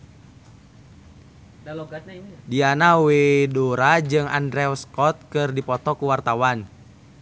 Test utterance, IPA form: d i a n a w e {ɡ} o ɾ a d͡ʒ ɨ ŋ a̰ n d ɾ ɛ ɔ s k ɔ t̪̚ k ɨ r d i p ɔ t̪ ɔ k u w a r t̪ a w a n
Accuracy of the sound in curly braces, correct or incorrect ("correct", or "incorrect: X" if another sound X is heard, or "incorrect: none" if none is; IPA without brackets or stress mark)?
incorrect: d